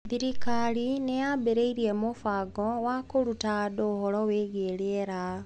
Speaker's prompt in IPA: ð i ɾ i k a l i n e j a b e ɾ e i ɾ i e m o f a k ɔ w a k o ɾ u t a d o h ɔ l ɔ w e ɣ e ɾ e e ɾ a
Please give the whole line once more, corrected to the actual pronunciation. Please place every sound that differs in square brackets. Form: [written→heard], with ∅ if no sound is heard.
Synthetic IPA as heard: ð i ɾ i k a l i n e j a b e ɾ e i ɾ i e m o f a [k→ɡ] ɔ w a k o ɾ u t a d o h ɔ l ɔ w e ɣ e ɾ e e ɾ a